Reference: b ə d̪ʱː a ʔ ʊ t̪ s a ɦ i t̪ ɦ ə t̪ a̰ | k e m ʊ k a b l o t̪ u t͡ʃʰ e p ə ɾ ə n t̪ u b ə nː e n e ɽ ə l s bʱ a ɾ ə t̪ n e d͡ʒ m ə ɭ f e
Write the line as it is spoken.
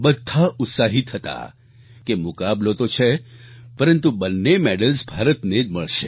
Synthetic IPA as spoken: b ə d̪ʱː a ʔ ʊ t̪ s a ɦ i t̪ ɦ ə t̪ a̰ | k e m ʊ k a b l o t̪ o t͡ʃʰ e p ə ɾ ə n t̪ u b ə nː e m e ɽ ə l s bʱ a ɾ ə t̪ n e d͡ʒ m ə ɭ ʃ e